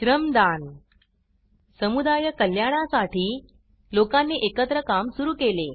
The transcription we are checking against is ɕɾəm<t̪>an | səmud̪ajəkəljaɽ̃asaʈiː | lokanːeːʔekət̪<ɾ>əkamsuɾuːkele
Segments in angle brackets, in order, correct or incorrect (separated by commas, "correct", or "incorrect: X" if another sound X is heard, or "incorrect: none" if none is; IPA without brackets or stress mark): incorrect: d̪, correct